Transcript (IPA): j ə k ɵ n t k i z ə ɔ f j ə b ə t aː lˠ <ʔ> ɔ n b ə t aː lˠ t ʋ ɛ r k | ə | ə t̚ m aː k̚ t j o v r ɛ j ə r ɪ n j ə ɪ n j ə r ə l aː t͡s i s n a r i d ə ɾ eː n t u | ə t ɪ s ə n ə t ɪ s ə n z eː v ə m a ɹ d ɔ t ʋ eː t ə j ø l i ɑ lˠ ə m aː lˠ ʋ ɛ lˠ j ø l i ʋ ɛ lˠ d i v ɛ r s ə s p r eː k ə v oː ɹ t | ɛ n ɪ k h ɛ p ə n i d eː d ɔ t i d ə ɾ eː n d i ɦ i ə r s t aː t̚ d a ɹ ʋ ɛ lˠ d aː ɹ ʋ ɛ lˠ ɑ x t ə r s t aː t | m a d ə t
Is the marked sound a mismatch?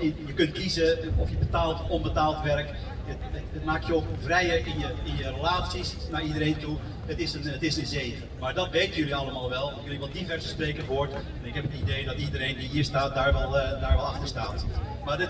yes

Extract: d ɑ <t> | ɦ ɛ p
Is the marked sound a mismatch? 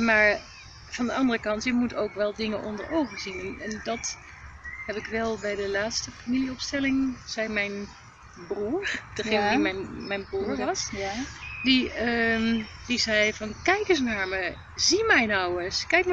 no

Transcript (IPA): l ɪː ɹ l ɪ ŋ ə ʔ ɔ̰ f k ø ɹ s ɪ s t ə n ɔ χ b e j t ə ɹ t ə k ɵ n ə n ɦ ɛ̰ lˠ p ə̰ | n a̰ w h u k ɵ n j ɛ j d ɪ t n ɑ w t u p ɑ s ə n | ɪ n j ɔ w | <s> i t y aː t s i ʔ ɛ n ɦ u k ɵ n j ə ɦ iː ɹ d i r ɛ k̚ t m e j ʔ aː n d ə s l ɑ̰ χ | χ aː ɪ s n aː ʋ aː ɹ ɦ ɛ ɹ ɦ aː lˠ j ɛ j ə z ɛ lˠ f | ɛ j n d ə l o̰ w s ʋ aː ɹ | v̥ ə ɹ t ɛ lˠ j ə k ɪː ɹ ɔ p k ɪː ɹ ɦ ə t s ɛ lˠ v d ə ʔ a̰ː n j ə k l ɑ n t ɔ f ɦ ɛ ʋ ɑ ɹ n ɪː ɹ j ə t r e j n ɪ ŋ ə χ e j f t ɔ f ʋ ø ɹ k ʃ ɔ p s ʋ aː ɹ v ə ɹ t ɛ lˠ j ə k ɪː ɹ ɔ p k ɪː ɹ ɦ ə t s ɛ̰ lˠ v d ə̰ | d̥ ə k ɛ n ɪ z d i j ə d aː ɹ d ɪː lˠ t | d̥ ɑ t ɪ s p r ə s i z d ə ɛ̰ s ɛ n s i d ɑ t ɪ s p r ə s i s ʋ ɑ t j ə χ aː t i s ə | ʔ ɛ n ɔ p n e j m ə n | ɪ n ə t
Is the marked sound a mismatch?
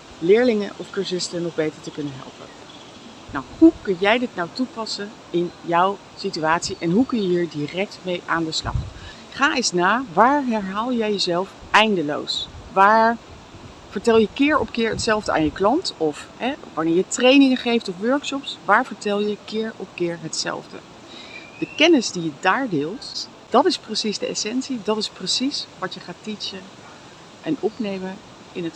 no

